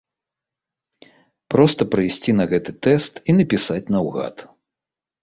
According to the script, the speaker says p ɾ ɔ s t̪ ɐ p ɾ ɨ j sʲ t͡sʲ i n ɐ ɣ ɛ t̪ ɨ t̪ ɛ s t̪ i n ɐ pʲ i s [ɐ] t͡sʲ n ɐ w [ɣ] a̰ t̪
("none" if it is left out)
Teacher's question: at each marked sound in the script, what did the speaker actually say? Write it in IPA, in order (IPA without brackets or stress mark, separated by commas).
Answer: a, ɣ